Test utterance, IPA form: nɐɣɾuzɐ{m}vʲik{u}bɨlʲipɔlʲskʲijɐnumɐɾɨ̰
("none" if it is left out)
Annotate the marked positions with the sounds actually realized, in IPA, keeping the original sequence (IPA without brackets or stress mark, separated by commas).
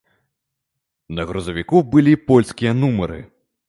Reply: none, u